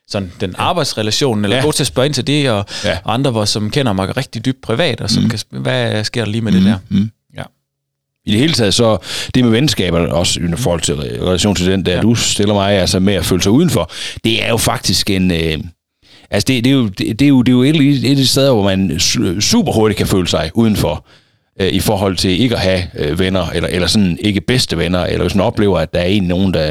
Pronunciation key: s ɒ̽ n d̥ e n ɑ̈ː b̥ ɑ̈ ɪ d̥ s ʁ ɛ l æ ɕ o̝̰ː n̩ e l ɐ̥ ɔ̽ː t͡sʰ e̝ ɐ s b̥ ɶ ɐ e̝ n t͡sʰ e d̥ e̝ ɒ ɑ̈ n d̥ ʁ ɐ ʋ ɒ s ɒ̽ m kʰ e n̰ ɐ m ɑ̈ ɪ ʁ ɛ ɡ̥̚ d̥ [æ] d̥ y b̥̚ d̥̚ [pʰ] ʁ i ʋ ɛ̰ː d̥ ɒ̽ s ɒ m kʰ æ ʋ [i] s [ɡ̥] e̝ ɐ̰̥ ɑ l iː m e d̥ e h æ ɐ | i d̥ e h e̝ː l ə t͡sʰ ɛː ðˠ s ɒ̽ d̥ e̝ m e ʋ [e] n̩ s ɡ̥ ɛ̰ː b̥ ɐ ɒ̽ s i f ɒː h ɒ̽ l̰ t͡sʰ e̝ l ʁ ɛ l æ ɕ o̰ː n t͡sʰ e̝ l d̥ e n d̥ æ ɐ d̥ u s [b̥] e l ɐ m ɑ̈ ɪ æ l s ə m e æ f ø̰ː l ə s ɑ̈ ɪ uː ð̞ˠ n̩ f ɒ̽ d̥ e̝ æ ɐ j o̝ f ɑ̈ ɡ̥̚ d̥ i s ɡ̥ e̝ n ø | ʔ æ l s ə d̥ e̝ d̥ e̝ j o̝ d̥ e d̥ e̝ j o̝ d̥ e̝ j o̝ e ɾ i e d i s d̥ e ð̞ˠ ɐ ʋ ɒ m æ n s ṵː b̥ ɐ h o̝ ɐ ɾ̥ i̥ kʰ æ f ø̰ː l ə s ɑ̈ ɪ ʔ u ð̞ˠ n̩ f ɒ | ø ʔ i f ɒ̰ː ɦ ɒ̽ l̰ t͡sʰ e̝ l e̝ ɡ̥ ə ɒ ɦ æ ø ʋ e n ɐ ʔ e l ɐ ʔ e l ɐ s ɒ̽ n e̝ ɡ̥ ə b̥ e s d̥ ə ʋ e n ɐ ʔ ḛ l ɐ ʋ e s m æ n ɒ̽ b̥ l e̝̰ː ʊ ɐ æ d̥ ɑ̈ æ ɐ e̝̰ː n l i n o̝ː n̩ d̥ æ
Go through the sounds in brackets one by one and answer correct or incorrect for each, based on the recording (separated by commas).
incorrect, correct, incorrect, correct, correct, incorrect